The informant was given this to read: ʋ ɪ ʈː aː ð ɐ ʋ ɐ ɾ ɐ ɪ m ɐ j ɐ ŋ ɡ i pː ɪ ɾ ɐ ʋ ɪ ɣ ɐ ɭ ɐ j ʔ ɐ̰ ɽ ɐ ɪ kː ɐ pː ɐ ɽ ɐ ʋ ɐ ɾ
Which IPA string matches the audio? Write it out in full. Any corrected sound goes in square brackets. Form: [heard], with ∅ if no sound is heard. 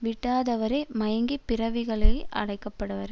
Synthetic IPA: ʋ ɪ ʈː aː ð ɐ ʋ ɐ ɾ ɐ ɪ m ɐ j ɐ ŋ ɡ i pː ɪ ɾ ɐ ʋ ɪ ɣ ɐ ɭ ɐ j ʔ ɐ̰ ɽ ɐ ɪ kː ɐ pː ɐ ɽ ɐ ʋ ɐ ɾ